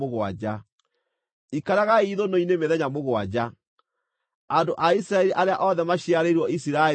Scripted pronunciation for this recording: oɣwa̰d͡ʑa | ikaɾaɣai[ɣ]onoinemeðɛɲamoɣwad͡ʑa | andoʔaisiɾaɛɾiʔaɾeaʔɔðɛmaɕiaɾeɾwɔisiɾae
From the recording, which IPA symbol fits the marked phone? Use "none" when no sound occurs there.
ð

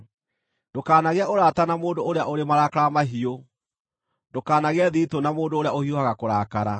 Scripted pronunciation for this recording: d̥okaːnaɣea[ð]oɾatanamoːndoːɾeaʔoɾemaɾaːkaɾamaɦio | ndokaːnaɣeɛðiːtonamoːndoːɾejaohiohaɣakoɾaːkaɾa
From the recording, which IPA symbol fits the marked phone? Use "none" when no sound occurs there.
none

